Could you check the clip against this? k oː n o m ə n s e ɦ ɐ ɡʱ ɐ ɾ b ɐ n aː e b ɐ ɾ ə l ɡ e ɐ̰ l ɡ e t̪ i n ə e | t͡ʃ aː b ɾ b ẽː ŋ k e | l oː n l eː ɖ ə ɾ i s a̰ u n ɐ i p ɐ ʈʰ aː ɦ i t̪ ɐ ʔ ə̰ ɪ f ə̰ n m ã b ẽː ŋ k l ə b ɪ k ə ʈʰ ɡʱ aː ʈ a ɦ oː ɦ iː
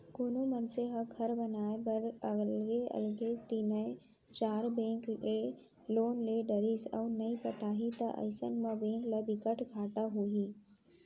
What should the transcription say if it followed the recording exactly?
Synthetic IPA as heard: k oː n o m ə n s e ɦ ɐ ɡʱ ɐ ɾ b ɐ n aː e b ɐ ɾ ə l ɡ e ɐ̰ l ɡ e t̪ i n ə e | t͡ʃ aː ɾ b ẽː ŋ k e | l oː n l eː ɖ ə ɾ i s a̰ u n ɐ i p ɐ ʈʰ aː ɦ i t̪ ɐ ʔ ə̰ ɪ s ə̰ n m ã b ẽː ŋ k l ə b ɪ k ə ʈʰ ɡʱ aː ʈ a ɦ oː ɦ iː